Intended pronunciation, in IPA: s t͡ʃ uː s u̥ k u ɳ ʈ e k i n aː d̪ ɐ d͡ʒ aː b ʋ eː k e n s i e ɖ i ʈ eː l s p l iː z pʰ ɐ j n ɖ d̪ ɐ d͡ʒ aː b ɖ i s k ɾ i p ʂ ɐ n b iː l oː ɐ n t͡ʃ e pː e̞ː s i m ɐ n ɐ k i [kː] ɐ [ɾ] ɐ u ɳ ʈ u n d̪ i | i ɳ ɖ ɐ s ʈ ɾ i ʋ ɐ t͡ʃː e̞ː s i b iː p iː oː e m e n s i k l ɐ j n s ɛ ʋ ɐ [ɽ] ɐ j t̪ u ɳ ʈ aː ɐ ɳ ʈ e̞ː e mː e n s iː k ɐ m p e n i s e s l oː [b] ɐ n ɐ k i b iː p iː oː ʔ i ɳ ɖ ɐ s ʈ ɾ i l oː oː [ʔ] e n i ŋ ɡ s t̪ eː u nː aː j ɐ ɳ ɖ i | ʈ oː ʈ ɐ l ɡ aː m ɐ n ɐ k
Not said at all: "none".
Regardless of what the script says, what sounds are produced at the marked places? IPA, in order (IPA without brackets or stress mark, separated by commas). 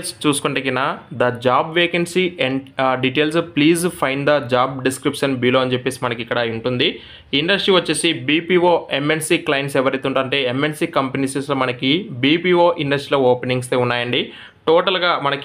kː, ɽ, ɾ, m, p